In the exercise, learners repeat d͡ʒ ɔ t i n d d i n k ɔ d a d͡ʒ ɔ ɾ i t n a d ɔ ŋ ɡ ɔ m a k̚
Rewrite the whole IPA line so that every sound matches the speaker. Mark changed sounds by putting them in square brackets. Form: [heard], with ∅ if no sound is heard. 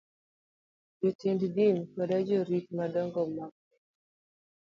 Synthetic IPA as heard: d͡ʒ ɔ t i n d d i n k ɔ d a d͡ʒ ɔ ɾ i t [m] a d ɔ ŋ ɡ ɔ m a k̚